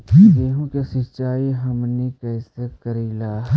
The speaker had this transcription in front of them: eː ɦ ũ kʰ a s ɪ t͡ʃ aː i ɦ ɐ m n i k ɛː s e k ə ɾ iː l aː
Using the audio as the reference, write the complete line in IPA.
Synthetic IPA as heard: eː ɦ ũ k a s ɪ t͡ʃ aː i ɦ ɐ m n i k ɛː s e k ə ɾ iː l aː